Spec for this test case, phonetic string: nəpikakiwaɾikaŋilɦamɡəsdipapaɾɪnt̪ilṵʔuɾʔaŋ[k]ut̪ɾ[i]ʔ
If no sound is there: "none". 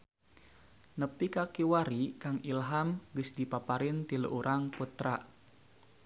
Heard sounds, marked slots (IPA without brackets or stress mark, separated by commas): p, a